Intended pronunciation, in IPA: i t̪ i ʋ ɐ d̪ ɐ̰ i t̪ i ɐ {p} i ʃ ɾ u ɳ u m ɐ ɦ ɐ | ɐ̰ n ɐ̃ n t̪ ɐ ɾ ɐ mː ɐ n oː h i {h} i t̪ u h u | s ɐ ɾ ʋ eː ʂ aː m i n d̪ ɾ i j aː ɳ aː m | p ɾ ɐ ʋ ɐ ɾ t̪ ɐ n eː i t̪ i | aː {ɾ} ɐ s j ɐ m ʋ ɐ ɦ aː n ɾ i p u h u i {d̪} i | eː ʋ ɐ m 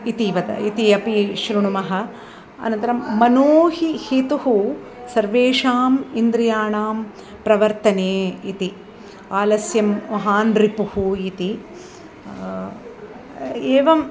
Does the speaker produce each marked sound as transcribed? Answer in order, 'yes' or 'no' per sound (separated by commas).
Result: yes, yes, no, no